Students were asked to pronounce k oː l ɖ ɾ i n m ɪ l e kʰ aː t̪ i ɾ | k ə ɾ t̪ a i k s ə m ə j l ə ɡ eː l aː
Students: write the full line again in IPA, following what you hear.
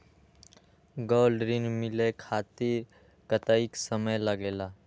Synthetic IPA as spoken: ɡ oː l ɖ ɾ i n m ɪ l e kʰ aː t̪ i ɾ | k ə t̪ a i k s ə m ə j l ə ɡ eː l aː